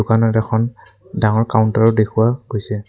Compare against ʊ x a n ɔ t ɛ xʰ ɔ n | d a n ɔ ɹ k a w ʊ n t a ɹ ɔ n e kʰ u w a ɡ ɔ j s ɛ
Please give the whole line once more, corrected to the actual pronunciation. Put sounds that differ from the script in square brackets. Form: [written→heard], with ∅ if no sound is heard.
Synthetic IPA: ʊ [x→k] a n ɔ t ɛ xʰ ɔ n | d a [n→ŋ] ɔ ɹ k a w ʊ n t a ɹ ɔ [n→d] e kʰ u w a ɡ [ɔ→o] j s ɛ